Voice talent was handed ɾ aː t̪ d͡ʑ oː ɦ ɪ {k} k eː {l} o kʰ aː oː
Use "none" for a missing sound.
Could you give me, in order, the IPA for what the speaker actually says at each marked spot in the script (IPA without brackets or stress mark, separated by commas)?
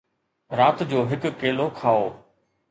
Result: k, l